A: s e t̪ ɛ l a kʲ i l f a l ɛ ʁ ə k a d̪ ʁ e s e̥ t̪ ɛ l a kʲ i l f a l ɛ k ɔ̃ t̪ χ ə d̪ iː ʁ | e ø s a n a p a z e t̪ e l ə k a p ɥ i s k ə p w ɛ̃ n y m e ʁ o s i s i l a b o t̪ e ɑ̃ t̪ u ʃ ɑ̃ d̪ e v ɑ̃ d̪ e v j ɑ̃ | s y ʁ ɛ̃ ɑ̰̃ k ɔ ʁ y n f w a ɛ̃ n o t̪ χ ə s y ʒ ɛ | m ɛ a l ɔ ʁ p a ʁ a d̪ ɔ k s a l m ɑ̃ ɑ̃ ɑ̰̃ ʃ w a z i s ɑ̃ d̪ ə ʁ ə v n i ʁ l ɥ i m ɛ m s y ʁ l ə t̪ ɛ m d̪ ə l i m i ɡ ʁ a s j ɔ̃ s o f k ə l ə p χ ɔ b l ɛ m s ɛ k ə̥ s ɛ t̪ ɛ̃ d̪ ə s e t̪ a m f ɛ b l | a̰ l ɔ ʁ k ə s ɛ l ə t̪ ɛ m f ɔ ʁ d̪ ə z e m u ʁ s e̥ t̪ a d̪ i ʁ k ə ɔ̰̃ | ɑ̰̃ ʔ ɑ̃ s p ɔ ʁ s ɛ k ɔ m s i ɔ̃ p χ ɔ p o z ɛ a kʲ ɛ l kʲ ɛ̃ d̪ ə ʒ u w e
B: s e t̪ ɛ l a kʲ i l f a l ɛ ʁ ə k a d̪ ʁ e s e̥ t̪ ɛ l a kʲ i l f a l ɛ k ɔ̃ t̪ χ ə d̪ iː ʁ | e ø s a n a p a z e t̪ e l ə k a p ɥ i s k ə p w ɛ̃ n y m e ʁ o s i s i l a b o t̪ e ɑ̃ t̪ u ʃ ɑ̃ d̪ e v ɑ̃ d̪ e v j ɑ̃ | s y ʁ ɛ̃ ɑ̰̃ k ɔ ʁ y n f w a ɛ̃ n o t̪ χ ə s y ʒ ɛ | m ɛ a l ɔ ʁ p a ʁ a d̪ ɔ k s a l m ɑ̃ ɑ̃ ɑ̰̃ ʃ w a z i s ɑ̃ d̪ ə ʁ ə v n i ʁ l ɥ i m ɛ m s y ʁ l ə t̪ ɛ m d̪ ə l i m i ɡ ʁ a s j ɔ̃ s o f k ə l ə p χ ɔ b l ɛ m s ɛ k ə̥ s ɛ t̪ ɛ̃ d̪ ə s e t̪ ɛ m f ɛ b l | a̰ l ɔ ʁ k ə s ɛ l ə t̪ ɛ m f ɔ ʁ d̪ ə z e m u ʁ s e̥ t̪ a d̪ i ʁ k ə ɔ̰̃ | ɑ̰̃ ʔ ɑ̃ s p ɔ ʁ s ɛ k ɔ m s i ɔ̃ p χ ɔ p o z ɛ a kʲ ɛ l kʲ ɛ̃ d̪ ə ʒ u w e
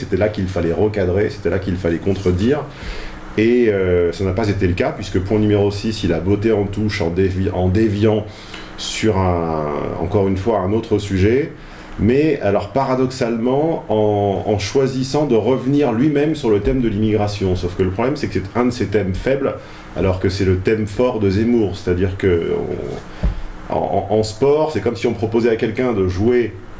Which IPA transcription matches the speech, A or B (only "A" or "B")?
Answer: B